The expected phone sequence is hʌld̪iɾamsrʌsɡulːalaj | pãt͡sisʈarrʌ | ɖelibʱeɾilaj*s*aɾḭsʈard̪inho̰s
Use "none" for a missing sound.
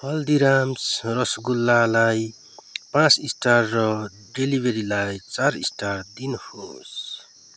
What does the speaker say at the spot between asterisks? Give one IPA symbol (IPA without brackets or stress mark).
t͡s